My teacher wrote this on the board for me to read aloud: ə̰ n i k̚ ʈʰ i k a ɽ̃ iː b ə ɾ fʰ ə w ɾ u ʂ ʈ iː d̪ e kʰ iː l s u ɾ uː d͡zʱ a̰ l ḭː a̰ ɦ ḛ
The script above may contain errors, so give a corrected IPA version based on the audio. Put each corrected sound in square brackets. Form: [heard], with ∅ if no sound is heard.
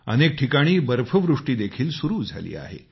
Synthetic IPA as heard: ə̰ n [e] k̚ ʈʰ i k a ɽ̃ iː b ə ɾ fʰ ə [ʋ] ɾ u ʂ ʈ iː d̪ e kʰ iː l s u ɾ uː d͡zʱ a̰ l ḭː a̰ ɦ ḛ